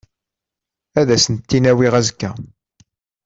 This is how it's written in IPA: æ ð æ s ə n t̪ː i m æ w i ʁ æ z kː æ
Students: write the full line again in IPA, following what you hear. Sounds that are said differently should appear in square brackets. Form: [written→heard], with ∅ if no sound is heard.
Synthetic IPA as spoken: æ ð æ s ə n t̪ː i [m→n] æ w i ʁ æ z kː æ